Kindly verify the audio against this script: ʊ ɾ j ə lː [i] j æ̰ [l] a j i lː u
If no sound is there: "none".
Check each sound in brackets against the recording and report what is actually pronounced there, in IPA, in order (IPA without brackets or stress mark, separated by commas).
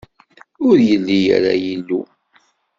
i, ɾ